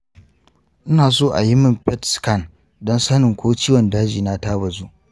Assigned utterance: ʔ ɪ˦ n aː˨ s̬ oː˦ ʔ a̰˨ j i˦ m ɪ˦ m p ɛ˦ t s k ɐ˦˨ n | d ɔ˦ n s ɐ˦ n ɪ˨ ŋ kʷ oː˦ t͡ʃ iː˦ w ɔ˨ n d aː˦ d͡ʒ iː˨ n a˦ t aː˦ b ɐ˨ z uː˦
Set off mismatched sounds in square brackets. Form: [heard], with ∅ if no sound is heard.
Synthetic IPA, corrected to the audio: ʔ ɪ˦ n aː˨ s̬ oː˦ ʔ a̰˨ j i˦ m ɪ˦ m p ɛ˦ t s k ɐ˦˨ n | d ɔ˦ n s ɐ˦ n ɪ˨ ŋ kʷ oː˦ t͡ʃ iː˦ w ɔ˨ n d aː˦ d͡ʒ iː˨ n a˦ t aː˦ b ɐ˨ z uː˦

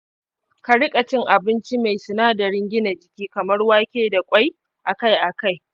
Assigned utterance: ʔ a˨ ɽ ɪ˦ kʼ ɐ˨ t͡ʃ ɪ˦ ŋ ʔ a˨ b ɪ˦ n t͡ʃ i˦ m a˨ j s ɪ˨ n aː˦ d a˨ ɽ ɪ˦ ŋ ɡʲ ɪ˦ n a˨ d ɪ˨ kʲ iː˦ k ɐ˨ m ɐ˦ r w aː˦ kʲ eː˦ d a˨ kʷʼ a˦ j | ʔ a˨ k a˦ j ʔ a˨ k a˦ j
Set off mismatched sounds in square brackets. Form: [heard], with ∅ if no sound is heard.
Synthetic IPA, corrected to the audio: [k] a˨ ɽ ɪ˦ kʼ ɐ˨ t͡ʃ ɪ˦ ŋ ʔ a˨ b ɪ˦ n t͡ʃ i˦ m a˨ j s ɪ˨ n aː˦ d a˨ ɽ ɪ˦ ŋ ɡʲ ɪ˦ n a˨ [d͡ʒ] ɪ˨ kʲ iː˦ k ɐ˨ m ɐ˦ r w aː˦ kʲ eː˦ d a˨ kʷʼ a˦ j | ʔ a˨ k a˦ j ʔ a˨ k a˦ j

